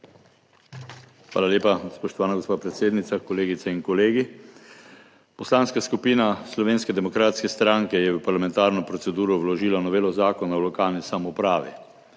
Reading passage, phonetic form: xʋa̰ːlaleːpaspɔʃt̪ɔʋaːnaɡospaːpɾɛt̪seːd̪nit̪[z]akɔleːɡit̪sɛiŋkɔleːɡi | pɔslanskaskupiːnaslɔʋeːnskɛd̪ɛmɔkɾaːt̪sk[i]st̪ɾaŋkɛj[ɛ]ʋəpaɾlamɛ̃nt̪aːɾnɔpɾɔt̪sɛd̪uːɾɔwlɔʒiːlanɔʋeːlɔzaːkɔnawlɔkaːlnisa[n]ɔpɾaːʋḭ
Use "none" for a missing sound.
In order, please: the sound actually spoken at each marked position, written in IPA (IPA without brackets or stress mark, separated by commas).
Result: s, ɛ, ɛ, m